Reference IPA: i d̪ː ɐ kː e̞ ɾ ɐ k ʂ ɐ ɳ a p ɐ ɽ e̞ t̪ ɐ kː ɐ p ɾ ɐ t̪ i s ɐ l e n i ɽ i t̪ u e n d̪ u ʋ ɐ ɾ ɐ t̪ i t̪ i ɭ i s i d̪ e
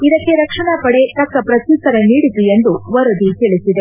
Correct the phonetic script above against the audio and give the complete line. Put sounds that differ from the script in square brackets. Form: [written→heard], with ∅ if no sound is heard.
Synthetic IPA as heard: i [d̪ː→d̪] ɐ kː e̞ ɾ ɐ k ʂ ɐ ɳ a p ɐ ɽ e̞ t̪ ɐ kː ɐ p ɾ ɐ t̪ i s ɐ [l→ɾ] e n [i→iː] ɽ i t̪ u e n d̪ u ʋ ɐ ɾ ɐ [t̪→d̪] i t̪ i ɭ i s i d̪ e